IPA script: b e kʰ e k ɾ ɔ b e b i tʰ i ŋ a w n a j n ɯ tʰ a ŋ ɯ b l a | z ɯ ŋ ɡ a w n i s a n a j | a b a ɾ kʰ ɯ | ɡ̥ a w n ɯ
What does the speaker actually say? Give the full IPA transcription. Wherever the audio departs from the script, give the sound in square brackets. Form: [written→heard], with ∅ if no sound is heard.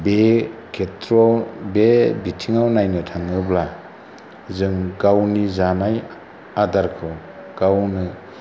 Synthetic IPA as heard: b e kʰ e [k→t] ɾ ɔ b e b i tʰ i ŋ a w n a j n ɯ tʰ a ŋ ɯ b l a | z ɯ ŋ ɡ a w n i [s→z] a n a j | a [b→d] a ɾ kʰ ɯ | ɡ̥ a w n ɯ